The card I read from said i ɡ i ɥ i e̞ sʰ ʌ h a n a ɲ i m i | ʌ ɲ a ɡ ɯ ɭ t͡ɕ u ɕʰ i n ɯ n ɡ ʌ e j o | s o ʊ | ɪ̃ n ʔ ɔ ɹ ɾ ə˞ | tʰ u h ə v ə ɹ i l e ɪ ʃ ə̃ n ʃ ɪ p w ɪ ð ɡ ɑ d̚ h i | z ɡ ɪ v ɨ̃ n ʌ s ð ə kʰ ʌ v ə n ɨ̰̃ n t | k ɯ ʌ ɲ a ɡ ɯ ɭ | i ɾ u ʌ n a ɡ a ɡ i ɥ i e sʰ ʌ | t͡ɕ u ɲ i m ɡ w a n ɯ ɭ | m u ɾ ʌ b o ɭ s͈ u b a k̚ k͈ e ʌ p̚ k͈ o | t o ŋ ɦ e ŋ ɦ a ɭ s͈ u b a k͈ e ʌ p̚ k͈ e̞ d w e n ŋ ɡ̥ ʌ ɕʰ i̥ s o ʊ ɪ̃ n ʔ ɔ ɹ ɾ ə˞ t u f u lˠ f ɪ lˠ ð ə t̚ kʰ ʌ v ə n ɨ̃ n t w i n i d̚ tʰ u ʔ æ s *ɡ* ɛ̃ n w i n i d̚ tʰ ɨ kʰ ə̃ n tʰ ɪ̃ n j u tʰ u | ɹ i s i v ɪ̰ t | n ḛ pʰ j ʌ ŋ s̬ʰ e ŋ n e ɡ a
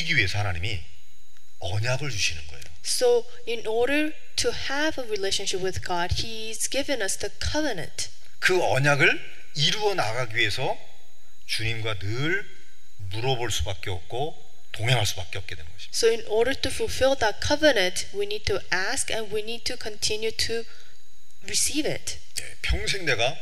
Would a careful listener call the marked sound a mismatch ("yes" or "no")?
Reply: yes